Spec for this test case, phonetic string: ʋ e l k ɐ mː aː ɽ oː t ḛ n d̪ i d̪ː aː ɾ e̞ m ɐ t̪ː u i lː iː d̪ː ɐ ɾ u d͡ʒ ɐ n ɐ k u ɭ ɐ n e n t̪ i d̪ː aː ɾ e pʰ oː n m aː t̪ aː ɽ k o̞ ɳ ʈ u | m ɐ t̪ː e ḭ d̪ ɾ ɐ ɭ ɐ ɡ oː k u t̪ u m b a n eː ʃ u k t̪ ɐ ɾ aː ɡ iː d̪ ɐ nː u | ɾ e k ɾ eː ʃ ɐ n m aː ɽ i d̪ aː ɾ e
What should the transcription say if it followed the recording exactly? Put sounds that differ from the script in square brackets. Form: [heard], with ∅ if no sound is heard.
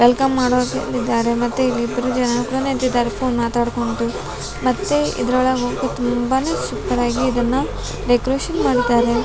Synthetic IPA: ʋ e l k ɐ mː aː ɽ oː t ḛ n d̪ i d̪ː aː ɾ e̞ m ɐ t̪ː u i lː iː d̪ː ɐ ɾ u d͡ʒ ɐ n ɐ k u [ɽ] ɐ n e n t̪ i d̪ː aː ɾ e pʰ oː n m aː t̪ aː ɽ k o̞ ɳ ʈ u | m ɐ t̪ː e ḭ d̪ ɾ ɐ ɭ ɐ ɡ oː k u t̪ u m b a n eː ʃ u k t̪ ɐ ɾ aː ɡ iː d̪ ɐ nː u | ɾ e k ɾ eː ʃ ɐ n m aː ɽ i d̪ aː ɾ e